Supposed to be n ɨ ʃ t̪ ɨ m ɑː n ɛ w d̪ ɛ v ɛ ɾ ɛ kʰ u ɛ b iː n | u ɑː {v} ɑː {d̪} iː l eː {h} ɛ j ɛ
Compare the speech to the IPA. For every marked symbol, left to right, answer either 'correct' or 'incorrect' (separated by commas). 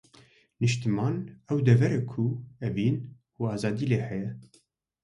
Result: incorrect, correct, correct